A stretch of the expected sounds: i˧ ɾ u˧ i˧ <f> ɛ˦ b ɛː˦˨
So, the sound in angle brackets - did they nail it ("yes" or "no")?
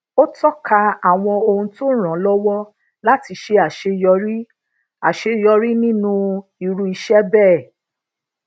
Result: no